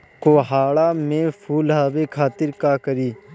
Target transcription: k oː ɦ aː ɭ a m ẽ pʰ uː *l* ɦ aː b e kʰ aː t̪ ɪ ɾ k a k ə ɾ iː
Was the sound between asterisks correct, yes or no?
yes